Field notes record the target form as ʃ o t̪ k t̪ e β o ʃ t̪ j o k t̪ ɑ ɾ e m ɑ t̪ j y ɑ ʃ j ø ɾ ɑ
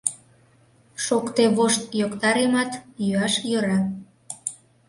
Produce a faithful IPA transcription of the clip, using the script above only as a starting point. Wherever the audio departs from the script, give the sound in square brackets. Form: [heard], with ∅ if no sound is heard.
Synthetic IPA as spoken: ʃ o [∅] k t̪ e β o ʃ t̪ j o k t̪ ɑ ɾ e m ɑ t̪ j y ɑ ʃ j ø ɾ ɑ